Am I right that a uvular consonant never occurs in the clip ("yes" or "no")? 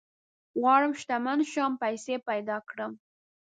yes